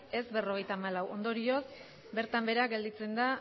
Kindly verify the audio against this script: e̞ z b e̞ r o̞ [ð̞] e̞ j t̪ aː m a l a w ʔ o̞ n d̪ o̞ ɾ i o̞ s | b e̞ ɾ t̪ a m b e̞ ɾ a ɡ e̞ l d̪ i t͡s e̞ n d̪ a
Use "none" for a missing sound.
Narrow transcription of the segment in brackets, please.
ɣ̞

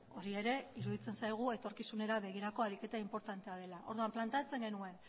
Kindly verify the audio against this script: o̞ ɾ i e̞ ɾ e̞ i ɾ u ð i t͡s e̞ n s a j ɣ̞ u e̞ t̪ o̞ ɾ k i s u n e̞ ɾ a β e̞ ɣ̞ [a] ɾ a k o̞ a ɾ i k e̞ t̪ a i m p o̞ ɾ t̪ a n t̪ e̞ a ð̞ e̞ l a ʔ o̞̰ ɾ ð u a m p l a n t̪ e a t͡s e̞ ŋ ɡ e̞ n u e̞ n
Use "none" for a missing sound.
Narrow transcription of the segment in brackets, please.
i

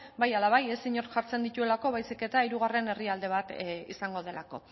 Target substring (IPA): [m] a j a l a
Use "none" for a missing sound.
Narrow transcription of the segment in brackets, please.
b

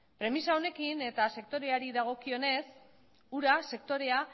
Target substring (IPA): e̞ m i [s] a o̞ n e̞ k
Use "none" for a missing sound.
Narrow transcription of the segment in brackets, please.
s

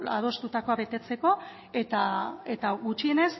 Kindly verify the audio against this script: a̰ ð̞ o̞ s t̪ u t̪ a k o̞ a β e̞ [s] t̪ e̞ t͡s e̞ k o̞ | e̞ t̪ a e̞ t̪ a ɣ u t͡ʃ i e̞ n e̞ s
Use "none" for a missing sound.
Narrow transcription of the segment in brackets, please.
none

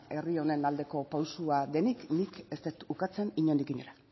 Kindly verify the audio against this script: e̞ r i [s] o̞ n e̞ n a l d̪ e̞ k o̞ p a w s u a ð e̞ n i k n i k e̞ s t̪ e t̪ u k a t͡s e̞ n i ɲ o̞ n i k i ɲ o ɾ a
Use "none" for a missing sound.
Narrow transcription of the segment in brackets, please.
none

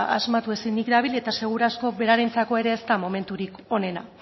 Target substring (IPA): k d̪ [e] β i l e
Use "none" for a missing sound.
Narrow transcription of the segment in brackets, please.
a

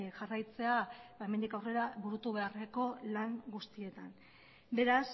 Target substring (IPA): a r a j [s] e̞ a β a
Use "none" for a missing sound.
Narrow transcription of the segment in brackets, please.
t͡s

